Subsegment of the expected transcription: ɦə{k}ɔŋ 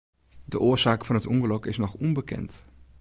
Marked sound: incorrect: t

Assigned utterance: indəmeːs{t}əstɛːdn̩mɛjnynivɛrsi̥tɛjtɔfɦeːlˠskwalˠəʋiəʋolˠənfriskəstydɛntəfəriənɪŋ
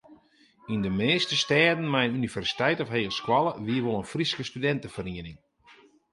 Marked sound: correct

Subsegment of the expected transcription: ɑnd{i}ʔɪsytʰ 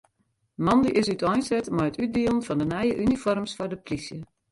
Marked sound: correct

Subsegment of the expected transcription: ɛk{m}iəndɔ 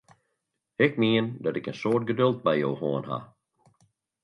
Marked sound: correct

